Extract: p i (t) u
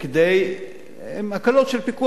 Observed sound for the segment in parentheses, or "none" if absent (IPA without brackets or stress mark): k